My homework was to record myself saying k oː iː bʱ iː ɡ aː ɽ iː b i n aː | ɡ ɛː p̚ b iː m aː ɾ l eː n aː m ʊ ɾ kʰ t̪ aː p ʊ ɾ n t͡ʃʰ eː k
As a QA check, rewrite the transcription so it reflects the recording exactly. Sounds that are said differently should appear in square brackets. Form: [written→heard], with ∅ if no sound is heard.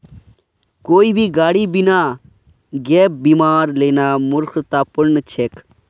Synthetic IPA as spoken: k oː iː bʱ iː ɡ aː ɽ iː b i n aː | ɡ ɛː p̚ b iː m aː ɾ l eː n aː m ʊ ɾ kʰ t̪ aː p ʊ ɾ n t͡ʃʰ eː k

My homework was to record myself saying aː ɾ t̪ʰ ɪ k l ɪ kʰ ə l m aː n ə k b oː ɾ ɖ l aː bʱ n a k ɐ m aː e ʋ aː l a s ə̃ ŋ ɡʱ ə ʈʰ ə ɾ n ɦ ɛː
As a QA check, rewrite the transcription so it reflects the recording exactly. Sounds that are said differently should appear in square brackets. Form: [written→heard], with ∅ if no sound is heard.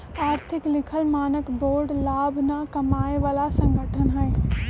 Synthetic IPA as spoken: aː ɾ t̪ʰ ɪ k l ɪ kʰ ə l m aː n ə k b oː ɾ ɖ l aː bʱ n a k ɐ m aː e ʋ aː l a s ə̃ ŋ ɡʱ ə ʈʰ ə [ɾ→∅] n ɦ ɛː

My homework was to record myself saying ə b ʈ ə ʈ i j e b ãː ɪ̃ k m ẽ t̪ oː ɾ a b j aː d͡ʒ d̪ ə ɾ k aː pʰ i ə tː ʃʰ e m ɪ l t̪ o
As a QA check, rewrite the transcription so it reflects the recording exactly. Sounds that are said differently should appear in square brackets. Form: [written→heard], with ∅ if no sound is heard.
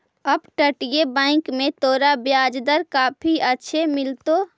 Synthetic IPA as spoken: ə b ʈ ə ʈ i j e b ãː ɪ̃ k m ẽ t̪ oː ɾ a b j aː d͡ʒ d̪ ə ɾ k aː pʰ i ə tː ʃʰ e m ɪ l t̪ o

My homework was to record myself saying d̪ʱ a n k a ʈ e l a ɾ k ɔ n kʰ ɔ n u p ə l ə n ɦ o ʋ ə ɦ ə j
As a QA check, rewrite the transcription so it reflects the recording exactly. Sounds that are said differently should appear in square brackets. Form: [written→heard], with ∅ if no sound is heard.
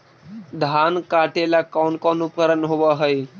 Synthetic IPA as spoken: d̪ʱ a n k a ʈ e l a [ɾ→∅] k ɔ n [kʰ→k] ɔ n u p ə [l→ɾ] ə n ɦ o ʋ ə ɦ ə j

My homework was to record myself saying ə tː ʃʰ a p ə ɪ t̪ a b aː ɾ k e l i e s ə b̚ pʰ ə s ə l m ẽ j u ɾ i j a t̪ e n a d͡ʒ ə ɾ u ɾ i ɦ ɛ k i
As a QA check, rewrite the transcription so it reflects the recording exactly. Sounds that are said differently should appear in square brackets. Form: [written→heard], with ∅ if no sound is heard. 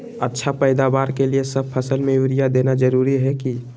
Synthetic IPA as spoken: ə tː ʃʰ a p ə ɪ [t̪→d̪] a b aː ɾ k e l i e s ə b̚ pʰ ə s ə l m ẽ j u ɾ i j a [t̪→d̪] e n a d͡ʒ ə ɾ u ɾ i ɦ ɛ k i

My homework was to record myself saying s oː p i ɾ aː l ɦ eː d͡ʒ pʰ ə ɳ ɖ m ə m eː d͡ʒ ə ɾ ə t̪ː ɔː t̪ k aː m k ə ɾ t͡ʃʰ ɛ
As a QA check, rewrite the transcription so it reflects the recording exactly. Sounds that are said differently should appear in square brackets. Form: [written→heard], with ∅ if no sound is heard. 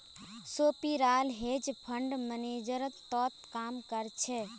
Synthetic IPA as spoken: s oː p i ɾ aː l ɦ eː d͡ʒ pʰ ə ɳ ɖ m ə [m→n] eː d͡ʒ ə ɾ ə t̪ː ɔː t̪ k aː m k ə ɾ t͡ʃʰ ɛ

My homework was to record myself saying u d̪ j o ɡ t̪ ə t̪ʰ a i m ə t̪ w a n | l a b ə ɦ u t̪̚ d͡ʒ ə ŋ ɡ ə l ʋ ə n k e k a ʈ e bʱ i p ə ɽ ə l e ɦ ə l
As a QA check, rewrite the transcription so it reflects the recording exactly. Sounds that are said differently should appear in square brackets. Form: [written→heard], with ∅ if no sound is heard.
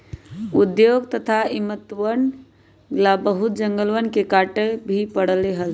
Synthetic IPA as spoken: u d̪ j o ɡ t̪ ə t̪ʰ a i m ə t̪ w [a→ə] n | l a b ə ɦ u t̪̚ d͡ʒ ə ŋ ɡ ə l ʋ ə n k e k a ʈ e bʱ i p ə ɽ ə l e ɦ ə l

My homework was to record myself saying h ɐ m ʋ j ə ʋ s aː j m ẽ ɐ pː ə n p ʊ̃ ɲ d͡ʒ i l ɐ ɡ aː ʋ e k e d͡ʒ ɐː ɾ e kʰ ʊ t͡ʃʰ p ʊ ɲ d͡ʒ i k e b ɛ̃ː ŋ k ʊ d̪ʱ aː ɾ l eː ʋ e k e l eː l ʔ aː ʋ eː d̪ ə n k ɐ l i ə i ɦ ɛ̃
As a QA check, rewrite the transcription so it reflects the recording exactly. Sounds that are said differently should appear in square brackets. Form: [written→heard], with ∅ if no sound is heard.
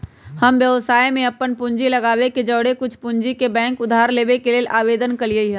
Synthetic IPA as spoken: h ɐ m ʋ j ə ʋ s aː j m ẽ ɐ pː ə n p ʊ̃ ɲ d͡ʒ i l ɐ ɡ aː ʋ e k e d͡ʒ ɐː [ɾ→ɽ] e [kʰ→k] ʊ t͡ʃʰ p ʊ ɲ d͡ʒ i k e b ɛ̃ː ŋ k ʊ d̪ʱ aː ɾ l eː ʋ e k e l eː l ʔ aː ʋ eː d̪ ə n k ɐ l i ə i ɦ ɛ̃

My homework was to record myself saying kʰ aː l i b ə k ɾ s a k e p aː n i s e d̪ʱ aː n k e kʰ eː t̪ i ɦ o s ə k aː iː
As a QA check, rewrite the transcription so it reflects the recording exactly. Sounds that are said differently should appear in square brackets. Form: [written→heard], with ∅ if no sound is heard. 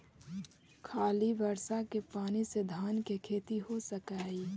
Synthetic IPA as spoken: kʰ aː l i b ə [k→∅] ɾ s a k e p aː n i s e d̪ʱ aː n k e kʰ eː t̪ i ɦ o s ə k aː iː

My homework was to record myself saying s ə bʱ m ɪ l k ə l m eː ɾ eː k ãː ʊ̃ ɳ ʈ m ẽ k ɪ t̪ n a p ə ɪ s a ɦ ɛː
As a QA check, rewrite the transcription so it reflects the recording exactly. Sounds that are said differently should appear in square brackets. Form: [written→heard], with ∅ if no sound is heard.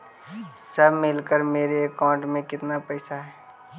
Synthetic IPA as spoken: s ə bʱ m ɪ l k ə [l→ɾ] m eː ɾ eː k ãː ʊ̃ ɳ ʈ m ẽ k ɪ t̪ n a p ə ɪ s a ɦ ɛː

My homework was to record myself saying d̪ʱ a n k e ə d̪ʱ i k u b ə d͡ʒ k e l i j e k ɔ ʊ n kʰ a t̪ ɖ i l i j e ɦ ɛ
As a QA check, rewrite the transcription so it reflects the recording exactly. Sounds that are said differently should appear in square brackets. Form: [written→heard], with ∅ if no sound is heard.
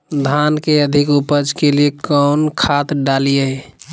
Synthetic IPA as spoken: d̪ʱ a n k e ə d̪ʱ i k u [b→p] ə d͡ʒ k e l i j e k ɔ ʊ n kʰ a t̪ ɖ [i→a] l i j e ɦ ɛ

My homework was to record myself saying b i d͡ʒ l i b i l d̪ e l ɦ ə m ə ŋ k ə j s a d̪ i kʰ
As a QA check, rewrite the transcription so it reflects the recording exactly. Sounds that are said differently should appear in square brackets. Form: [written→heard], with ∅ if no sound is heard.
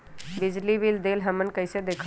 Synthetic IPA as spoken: b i d͡ʒ l i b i l d̪ e l ɦ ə m ə [ŋ→n] k ə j s [a→e] d̪ [i→e] kʰ

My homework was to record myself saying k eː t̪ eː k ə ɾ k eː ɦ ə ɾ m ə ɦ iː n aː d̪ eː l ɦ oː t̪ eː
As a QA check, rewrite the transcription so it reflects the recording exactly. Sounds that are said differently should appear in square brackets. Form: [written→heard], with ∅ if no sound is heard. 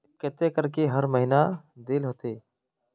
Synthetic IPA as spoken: k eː t̪ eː k ə ɾ k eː ɦ ə ɾ m ə ɦ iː n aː d̪ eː l ɦ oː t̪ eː

